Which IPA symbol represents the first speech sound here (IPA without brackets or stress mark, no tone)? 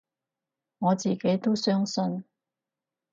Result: ŋ